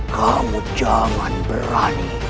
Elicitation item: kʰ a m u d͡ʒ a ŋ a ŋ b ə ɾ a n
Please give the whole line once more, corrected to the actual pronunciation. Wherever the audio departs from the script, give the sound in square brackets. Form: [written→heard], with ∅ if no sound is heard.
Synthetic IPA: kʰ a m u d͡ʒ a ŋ a [ŋ→n] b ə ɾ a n